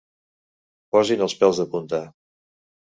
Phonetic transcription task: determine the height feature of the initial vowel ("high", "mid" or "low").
mid